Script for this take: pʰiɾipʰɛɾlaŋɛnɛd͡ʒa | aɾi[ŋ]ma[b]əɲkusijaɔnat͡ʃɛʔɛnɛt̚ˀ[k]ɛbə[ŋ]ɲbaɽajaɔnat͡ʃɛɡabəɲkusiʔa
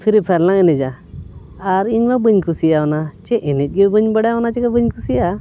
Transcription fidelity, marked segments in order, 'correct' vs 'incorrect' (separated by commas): incorrect, correct, incorrect, incorrect